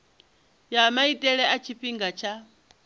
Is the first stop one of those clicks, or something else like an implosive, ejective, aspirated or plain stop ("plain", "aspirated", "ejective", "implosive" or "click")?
ejective